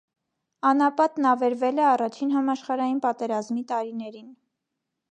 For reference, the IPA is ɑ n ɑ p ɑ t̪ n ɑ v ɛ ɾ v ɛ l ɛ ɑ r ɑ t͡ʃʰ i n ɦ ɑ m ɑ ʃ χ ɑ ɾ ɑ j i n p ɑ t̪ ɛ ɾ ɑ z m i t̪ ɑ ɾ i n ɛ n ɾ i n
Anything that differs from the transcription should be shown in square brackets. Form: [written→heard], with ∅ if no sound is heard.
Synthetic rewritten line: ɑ n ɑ p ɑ t̪ n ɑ v ɛ ɾ v ɛ l ɛ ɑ r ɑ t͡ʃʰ i n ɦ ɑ m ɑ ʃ χ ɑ ɾ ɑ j i n p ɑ t̪ ɛ ɾ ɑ z m i t̪ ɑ ɾ i n ɛ [n→∅] ɾ i n